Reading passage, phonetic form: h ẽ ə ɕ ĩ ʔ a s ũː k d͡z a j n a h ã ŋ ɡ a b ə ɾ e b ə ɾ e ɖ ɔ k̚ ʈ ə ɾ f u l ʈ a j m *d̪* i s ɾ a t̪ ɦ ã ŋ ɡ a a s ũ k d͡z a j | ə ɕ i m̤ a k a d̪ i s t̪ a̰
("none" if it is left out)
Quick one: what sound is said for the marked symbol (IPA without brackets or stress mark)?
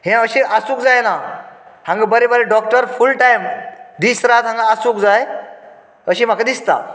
d̪